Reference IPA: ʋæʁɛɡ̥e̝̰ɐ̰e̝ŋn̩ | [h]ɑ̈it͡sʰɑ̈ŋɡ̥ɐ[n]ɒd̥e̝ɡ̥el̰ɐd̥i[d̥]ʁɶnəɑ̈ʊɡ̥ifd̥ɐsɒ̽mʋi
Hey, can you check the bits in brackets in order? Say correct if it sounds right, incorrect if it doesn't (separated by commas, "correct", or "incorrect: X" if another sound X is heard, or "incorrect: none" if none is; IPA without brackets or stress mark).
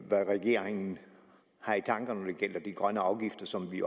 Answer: correct, correct, incorrect: ɡ̥